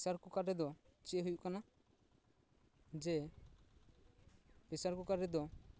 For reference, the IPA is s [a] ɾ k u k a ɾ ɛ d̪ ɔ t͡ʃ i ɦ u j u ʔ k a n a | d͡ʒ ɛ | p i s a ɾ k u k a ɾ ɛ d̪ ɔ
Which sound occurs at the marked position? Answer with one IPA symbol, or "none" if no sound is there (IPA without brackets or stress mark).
a